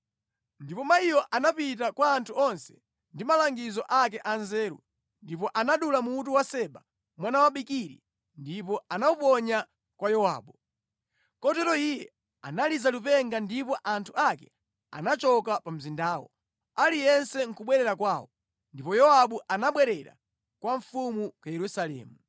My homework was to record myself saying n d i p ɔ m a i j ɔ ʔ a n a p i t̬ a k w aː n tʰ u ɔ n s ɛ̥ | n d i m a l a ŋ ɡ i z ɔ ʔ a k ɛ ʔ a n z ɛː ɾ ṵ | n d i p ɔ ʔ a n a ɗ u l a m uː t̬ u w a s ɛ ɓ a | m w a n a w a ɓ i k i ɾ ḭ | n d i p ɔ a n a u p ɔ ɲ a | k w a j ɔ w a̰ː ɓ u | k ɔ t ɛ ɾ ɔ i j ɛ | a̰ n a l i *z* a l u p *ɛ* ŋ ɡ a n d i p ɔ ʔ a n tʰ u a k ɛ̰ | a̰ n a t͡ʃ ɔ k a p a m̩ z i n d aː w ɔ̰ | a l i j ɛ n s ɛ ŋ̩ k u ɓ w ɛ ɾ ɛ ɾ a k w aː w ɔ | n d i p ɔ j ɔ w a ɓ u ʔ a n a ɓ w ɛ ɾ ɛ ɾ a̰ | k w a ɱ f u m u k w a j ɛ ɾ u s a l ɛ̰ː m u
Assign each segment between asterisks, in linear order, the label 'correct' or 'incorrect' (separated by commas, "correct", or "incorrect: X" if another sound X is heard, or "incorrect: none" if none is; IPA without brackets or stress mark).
correct, correct